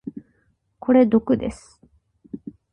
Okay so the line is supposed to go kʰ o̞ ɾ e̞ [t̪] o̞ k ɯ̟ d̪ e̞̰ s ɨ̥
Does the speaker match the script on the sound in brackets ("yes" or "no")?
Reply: no